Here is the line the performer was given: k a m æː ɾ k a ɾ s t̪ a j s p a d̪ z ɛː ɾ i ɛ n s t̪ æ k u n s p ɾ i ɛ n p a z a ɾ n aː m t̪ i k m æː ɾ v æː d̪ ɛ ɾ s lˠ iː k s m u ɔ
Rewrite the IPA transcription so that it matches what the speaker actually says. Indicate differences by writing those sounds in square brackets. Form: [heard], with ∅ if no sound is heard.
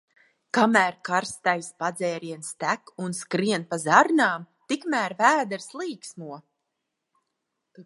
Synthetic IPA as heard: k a m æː ɾ k a ɾ s t̪ a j s p a d̪ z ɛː ɾ i ɛ n s t̪ æ k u n s [k] ɾ i ɛ n p a z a ɾ n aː m t̪ i k m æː ɾ v æː d̪ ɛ ɾ s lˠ iː k s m u ɔ